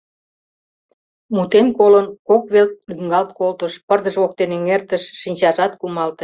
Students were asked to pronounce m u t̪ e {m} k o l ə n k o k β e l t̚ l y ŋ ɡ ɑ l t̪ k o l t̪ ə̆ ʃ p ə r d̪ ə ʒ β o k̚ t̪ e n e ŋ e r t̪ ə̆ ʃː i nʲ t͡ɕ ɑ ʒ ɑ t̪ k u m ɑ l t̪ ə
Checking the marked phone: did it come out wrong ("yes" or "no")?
yes